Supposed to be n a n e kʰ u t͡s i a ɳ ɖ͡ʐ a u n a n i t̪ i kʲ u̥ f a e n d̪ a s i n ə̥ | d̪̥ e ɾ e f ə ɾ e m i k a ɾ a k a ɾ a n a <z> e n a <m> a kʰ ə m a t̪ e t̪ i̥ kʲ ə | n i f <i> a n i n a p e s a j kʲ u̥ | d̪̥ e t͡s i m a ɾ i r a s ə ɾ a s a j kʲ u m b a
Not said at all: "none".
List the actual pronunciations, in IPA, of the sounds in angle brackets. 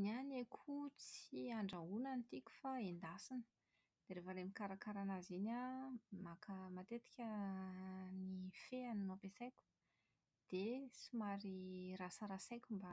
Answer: z, m, e

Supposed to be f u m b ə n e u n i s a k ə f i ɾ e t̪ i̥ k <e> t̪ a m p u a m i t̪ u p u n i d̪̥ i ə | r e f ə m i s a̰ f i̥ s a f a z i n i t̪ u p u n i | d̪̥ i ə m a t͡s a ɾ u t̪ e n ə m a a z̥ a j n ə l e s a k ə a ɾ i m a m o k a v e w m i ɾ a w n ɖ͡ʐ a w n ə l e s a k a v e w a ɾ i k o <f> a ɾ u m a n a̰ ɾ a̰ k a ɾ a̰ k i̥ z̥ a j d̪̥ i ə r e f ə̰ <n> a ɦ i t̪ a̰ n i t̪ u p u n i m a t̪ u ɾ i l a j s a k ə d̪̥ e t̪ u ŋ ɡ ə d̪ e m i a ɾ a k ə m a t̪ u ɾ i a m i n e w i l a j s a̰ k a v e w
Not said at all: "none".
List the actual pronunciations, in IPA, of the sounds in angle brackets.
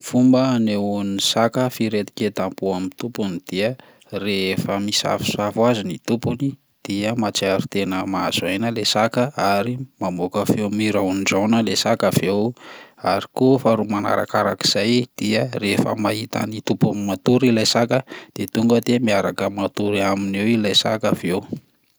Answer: e, f, m

